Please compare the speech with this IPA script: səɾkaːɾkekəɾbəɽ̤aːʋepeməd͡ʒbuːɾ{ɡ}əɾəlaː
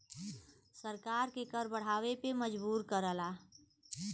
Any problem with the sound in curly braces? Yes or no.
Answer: yes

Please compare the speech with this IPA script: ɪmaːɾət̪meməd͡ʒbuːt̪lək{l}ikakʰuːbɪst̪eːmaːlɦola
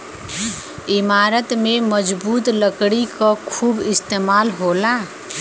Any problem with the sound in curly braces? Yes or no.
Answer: yes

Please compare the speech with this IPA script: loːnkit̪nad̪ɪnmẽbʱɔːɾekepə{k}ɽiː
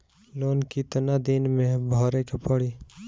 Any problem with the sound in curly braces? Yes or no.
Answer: yes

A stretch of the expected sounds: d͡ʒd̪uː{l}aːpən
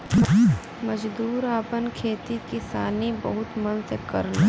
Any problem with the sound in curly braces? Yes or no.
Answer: yes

